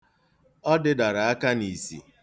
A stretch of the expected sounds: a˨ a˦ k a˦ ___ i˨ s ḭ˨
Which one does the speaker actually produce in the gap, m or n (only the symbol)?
n